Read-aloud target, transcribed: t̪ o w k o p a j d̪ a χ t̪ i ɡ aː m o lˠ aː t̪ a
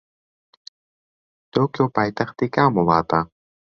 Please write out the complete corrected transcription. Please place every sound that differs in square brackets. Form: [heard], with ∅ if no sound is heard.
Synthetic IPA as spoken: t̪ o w k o p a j [t̪] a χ t̪ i [k] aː m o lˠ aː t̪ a